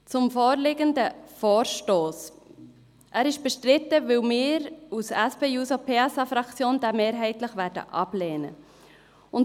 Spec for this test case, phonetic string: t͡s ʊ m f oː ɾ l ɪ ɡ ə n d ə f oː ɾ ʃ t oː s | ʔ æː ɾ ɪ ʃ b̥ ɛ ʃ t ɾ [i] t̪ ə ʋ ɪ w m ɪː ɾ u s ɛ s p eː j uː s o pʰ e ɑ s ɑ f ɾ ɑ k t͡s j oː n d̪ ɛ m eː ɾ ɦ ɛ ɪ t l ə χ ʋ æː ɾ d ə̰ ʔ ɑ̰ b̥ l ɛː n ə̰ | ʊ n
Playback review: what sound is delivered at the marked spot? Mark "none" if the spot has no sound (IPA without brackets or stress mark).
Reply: ɪ